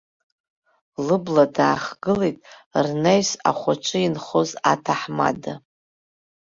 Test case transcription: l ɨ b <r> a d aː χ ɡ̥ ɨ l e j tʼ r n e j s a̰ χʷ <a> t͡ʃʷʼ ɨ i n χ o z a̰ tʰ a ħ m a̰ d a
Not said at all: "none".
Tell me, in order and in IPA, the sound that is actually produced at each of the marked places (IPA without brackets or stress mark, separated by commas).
l, a